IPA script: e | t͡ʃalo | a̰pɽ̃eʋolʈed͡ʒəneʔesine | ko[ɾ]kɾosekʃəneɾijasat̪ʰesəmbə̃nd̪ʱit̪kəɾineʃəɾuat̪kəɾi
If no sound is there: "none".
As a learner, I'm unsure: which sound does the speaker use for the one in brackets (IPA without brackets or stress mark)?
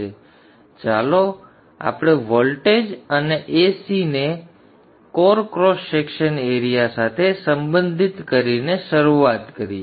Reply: ɾ